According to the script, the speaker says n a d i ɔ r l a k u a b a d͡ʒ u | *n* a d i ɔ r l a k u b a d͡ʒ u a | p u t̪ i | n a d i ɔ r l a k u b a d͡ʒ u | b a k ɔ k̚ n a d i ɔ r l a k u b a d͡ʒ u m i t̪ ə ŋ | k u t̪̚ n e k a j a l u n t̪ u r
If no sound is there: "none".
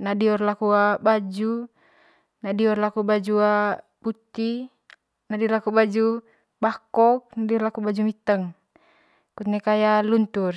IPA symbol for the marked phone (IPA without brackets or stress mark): n